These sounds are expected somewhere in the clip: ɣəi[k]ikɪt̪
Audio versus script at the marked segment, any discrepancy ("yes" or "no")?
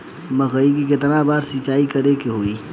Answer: no